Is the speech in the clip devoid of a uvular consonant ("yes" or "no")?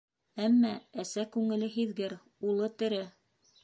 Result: yes